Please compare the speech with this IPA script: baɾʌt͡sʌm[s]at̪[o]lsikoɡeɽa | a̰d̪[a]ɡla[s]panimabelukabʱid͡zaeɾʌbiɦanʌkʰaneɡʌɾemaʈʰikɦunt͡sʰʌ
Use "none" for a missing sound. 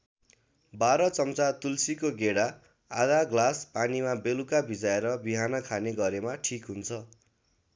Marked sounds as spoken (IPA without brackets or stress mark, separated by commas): t͡s, u, a, s